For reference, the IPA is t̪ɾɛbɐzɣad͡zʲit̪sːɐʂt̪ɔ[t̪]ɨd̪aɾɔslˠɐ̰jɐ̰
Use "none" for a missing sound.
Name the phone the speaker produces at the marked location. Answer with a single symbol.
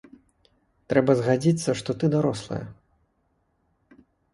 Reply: t̪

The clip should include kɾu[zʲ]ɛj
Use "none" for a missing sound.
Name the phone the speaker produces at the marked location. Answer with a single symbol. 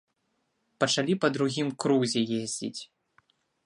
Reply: zʲ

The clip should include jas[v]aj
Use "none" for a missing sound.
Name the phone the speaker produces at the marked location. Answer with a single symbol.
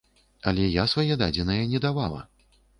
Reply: v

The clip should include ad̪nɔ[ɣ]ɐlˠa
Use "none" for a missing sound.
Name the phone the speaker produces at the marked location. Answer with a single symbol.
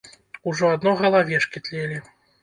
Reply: ɣ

